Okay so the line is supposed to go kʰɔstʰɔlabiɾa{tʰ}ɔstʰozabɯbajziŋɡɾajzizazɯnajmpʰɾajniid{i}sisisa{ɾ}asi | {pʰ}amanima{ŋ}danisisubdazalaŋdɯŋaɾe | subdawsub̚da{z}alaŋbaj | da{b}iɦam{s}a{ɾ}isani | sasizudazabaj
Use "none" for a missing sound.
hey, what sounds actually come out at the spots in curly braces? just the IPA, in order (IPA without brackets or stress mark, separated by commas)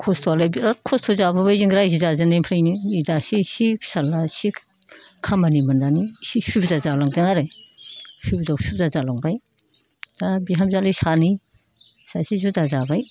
kʰ, a, l, kʰ, n, z, b, z, l